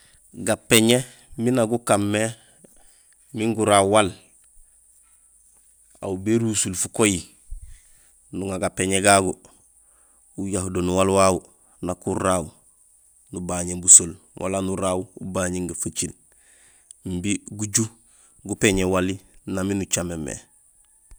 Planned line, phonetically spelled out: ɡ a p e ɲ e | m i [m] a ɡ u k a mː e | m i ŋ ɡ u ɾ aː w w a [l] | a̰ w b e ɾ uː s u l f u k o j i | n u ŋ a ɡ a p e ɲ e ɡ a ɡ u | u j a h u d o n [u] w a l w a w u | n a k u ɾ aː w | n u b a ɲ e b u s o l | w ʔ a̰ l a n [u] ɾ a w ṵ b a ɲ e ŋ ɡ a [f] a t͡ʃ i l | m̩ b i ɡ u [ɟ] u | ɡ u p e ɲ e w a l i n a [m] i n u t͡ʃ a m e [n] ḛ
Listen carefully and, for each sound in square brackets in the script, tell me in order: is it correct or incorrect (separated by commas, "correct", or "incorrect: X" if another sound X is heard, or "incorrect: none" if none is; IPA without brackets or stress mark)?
incorrect: n, correct, correct, correct, correct, correct, correct, incorrect: m